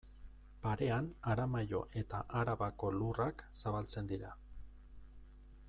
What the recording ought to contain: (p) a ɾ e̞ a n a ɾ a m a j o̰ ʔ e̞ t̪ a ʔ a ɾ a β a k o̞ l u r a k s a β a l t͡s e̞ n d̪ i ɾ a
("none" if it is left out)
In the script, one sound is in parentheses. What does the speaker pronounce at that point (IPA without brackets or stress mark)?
p